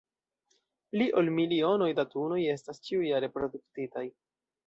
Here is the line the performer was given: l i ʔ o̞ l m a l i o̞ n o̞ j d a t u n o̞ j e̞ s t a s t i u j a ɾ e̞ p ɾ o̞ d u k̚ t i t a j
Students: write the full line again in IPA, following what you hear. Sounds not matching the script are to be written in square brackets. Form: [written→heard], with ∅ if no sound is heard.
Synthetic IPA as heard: l i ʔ o̞ l m [a→i] l i o̞ n o̞ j d a t u n o̞ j e̞ s t a s [t→t͡ʃ] i u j a ɾ e̞ p ɾ o̞ d u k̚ t i t a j